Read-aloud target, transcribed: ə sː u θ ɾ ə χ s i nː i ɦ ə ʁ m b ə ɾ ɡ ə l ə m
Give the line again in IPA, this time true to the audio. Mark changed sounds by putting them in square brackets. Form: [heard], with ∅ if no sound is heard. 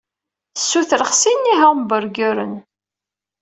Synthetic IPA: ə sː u θ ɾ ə χ s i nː i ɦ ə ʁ m b ə ɾ ɡ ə [ɾ] ə [n]